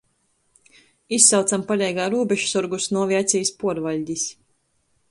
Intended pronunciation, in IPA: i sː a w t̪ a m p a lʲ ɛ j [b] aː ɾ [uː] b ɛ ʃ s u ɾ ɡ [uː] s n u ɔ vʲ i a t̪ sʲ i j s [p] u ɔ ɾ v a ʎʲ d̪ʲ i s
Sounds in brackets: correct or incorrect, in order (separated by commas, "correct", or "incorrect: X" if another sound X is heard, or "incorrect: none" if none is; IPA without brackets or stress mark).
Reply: incorrect: ɡ, correct, incorrect: u, correct